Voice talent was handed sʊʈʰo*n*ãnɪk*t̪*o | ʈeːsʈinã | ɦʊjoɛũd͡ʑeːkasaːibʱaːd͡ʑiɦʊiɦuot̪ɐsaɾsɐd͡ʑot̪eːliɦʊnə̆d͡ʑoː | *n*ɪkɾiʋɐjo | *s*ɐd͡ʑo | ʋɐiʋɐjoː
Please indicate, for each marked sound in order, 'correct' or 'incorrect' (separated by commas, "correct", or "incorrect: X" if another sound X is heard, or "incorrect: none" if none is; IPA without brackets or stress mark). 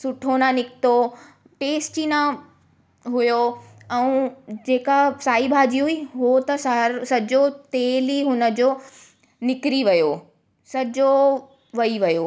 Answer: correct, correct, correct, correct